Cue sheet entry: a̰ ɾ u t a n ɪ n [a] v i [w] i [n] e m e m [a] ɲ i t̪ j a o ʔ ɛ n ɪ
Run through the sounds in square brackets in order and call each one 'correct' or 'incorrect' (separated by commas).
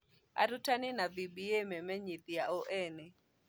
correct, incorrect, incorrect, incorrect